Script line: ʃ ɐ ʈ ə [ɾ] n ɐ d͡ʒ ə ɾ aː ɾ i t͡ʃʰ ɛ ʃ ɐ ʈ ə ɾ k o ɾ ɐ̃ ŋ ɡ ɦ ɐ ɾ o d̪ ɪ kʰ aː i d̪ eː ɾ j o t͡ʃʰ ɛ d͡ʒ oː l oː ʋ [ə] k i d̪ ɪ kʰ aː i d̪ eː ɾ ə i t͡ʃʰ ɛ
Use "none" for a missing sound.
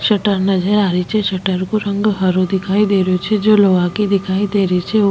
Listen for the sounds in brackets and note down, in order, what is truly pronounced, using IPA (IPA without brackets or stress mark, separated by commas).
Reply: ɾ, a